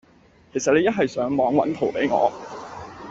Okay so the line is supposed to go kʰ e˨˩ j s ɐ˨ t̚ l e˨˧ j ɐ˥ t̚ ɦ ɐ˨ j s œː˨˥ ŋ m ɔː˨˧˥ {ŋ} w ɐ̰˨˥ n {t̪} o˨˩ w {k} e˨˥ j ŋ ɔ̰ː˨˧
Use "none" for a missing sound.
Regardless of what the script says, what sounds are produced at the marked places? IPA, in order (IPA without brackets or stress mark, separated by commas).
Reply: ŋ, t̪ʰ, p